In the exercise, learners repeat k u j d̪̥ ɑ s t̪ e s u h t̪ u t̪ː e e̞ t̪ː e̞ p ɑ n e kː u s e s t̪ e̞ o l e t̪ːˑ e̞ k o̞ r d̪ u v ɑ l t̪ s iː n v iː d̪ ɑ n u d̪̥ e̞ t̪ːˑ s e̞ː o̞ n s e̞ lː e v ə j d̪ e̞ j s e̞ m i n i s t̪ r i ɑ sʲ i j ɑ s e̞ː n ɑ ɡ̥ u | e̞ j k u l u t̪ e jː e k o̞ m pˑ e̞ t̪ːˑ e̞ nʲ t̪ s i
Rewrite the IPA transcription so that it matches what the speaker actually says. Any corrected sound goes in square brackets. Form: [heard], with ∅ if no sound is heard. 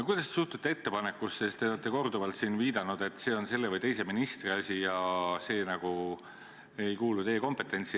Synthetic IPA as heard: k u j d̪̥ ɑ s t̪ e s u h t̪ u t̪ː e e̞ t̪ː e̞ p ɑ n e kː u s e s t̪ e̞ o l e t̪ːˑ e̞ k o̞ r d̪ u v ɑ l t̪ s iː n v iː d̪ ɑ n u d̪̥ e̞ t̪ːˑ s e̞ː o̞ n s e̞ lː e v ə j [t̪] e̞ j s e̞ m i n i s t̪ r i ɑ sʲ i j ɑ s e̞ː n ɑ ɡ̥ u | e̞ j k [uː] l u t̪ e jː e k o̞ m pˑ e̞ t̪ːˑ e̞ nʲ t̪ s i